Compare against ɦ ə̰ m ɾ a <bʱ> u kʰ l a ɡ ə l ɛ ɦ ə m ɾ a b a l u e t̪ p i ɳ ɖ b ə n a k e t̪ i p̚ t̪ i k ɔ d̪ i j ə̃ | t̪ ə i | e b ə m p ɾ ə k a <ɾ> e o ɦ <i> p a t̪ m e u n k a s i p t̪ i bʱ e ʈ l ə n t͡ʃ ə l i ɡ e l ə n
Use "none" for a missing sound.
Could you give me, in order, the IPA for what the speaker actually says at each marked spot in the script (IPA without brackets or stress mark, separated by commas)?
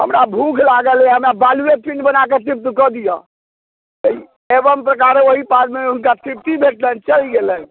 bʱ, ɾ, i